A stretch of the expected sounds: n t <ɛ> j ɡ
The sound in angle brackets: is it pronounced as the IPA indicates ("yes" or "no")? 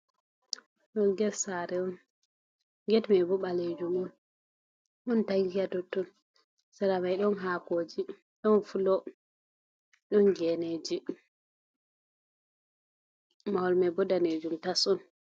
no